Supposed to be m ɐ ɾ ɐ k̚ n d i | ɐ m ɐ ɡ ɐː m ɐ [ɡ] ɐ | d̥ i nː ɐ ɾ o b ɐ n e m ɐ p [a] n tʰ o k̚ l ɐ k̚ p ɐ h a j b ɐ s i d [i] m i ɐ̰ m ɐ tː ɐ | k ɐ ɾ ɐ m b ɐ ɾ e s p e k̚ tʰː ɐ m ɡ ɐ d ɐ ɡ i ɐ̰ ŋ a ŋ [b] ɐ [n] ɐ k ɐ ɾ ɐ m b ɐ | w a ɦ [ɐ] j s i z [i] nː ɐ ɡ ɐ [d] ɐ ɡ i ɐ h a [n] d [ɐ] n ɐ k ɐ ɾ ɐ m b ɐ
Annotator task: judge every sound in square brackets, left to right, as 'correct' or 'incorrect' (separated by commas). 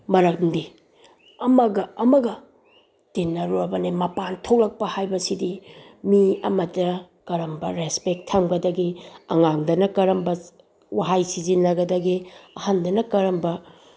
correct, correct, correct, incorrect, correct, incorrect, correct, correct, correct, correct